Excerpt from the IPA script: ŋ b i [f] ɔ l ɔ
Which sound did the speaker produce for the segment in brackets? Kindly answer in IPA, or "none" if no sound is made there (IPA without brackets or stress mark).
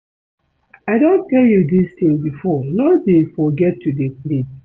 f